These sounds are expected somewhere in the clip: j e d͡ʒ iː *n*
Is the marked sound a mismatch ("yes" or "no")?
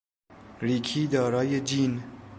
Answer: no